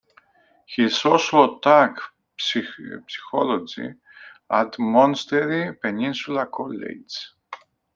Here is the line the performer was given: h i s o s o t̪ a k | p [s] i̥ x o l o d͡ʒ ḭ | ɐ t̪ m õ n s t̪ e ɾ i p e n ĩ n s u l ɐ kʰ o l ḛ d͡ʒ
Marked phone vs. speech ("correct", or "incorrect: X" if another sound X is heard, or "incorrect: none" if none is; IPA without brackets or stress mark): correct